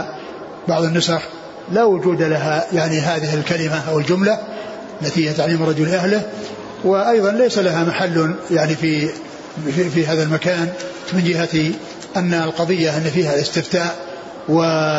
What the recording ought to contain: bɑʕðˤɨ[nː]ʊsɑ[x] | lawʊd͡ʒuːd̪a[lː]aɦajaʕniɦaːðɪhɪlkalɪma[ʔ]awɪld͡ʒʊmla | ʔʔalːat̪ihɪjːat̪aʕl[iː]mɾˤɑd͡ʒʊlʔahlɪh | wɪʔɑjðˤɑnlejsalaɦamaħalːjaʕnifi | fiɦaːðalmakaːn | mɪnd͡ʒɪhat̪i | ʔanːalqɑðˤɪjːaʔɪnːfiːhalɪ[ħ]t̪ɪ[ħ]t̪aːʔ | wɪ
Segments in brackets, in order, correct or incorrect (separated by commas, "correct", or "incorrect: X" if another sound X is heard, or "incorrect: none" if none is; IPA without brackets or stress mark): correct, correct, incorrect: l, correct, correct, incorrect: s, incorrect: f